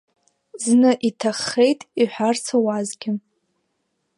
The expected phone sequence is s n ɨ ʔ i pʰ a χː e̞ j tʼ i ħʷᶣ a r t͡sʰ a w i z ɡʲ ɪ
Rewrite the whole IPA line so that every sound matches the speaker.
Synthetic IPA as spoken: z n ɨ ʔ i tʰ a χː e̞ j tʼ i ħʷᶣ a r t͡sʰ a w a z ɡʲ ɪ